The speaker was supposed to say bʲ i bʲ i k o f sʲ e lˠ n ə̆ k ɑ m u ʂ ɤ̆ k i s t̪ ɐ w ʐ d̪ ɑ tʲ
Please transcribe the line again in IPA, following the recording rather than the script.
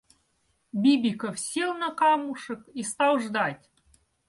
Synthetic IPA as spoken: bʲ i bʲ i k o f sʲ i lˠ n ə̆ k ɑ m u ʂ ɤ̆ k i s t̪ ɑ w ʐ d̪ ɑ tʲ